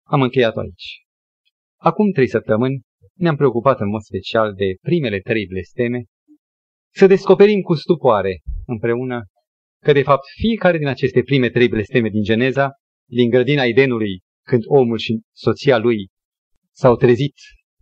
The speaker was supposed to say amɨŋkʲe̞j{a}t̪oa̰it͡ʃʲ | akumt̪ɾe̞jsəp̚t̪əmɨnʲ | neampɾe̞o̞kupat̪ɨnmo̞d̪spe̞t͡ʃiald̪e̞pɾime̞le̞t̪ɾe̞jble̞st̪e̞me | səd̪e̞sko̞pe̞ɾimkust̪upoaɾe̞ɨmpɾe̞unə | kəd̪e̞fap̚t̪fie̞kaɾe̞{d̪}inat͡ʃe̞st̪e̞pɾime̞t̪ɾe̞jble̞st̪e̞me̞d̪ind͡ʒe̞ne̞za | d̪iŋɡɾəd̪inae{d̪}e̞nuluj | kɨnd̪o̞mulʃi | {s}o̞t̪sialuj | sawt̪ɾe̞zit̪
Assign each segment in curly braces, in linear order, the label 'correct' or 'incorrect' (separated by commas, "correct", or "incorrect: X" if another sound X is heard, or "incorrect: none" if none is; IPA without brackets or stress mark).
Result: correct, correct, correct, correct